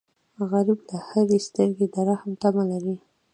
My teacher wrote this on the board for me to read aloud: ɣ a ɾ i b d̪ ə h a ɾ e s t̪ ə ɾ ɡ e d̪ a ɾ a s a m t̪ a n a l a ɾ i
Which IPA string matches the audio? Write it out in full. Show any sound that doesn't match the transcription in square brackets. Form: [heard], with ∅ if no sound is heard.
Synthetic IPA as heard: ɣ a ɾ i b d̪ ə h a ɾ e s t̪ ə ɾ ɡ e d̪ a ɾ a [h] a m t̪ a [m] a l a ɾ i